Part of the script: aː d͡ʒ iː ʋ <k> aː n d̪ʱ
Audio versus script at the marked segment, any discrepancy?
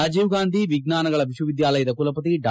yes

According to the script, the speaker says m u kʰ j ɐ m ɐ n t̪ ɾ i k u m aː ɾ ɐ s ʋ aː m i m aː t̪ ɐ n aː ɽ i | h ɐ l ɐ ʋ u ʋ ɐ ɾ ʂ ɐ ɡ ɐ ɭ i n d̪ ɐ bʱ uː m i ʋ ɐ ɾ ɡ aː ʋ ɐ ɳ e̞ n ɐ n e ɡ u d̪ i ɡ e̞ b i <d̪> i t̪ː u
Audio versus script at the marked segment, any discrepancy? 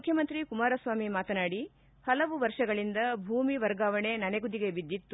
yes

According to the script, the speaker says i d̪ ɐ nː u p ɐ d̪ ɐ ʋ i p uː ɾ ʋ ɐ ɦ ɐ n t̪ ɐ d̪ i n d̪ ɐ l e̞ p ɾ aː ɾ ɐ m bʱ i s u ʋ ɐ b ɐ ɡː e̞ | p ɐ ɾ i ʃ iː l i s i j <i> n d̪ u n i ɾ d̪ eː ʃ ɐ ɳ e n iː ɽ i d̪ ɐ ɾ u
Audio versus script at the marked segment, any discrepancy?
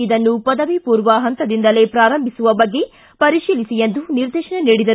yes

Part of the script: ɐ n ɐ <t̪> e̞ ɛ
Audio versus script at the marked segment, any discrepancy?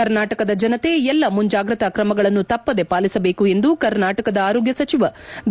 no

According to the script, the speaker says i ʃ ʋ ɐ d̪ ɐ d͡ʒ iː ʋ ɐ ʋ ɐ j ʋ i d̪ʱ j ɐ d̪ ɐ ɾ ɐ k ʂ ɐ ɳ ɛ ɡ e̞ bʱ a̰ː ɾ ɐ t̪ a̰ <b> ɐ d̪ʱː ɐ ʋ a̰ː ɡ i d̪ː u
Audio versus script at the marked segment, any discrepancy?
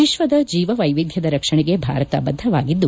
no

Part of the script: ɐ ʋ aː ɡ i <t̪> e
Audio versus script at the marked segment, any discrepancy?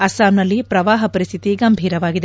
yes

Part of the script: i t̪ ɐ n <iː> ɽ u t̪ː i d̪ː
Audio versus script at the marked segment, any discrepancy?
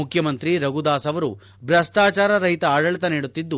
no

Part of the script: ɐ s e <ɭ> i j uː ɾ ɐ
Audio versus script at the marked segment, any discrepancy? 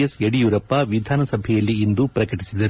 yes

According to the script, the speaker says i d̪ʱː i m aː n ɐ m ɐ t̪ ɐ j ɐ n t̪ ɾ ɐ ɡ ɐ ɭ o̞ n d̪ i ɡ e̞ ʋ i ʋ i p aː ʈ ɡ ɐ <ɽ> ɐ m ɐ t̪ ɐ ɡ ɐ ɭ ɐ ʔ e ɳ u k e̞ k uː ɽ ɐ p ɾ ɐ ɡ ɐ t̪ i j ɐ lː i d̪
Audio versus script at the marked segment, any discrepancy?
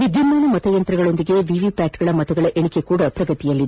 yes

